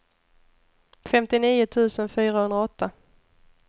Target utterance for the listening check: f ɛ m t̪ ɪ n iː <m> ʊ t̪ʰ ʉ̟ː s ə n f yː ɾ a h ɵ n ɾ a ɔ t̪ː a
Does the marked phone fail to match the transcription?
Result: yes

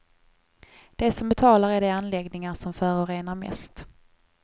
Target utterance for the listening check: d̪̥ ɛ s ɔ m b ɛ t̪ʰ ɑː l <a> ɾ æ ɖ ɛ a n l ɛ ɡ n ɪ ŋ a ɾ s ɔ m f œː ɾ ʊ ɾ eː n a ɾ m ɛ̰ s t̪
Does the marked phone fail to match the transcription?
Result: no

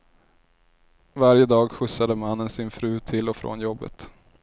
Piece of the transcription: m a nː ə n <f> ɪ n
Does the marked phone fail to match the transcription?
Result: yes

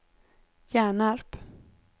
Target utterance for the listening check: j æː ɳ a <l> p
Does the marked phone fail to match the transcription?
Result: yes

